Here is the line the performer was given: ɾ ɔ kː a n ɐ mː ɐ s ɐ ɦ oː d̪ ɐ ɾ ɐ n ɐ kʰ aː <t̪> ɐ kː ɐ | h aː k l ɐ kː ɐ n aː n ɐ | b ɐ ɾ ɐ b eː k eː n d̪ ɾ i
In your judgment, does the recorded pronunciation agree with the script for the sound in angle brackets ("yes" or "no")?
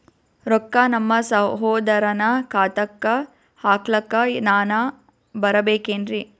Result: yes